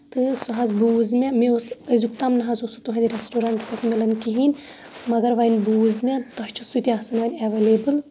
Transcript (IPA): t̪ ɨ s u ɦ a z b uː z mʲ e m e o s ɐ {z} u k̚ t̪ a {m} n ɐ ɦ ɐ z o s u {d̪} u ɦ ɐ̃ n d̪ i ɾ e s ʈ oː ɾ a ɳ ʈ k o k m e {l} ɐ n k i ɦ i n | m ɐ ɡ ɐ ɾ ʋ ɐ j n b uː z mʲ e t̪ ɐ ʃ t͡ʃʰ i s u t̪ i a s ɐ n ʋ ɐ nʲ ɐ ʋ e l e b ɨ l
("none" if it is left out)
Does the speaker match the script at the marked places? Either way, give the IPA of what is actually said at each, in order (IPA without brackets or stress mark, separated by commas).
z, m, t̪, l